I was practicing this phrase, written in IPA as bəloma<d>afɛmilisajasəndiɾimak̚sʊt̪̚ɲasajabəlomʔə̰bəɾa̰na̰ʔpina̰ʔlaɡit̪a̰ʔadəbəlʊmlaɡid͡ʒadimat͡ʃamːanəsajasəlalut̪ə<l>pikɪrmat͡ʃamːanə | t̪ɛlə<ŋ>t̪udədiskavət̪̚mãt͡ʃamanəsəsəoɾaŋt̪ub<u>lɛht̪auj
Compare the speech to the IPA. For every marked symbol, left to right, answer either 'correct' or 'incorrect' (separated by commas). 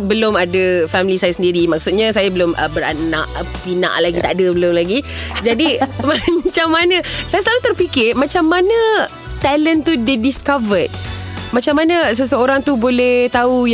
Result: correct, incorrect, incorrect, incorrect